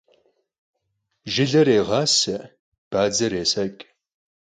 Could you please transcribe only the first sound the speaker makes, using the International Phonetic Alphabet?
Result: ʒ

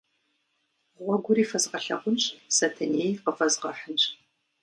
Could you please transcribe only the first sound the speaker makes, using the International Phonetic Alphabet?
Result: ʁʷ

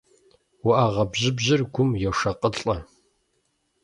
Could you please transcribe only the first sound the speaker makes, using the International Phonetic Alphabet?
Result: w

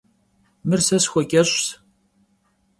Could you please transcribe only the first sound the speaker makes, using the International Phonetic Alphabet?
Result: m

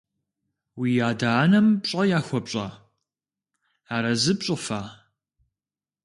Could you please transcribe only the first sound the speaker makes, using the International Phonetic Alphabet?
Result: w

